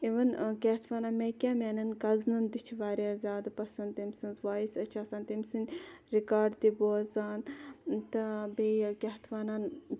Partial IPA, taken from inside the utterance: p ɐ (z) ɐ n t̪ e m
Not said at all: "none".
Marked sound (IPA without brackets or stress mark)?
s